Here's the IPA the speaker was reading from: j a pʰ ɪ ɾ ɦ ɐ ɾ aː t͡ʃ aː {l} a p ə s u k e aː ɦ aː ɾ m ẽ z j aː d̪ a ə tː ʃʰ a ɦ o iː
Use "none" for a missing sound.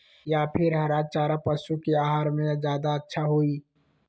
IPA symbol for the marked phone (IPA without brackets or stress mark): ɾ